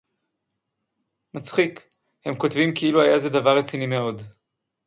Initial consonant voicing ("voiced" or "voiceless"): voiced